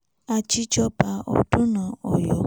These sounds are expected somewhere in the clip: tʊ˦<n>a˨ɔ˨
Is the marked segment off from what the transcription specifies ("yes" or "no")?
no